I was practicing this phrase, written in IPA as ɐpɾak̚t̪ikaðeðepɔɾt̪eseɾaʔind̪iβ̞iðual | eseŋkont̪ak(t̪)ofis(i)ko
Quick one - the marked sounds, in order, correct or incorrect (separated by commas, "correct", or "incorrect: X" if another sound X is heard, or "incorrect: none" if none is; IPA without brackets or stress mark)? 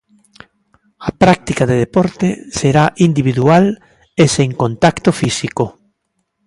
correct, correct